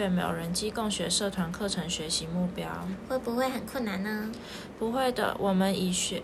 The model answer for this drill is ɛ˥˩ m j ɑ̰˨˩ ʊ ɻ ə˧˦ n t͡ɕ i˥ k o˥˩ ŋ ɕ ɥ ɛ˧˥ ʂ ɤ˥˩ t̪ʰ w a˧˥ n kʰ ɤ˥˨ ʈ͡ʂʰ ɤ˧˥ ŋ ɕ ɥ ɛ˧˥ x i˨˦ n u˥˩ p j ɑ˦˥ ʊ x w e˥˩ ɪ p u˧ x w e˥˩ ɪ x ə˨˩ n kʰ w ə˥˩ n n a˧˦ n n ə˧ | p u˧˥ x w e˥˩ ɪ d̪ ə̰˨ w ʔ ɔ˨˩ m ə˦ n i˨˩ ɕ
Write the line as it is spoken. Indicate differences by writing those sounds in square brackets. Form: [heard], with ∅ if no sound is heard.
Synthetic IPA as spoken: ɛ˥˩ m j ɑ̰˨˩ ʊ ɻ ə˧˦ n t͡ɕ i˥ k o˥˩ ŋ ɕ ɥ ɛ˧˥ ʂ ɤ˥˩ t̪ʰ w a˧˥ n kʰ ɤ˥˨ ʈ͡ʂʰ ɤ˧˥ ŋ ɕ ɥ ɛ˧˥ [ɕ] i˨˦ [m] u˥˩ p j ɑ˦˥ ʊ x w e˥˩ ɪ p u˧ x w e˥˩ ɪ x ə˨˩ n kʰ w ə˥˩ n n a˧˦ n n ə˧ | p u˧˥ x w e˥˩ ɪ d̪ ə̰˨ w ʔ ɔ˨˩ m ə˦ n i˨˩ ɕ